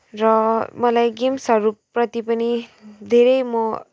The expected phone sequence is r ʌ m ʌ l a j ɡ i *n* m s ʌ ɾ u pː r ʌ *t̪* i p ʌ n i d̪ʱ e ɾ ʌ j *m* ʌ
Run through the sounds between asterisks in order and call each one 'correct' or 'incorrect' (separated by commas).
incorrect, correct, correct